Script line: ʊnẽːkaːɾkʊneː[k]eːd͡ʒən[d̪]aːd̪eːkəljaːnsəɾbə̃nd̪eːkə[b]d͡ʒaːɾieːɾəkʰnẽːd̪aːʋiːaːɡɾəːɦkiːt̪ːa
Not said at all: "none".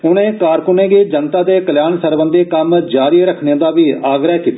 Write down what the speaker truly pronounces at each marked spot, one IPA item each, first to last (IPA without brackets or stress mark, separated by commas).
ɡ, t̪, m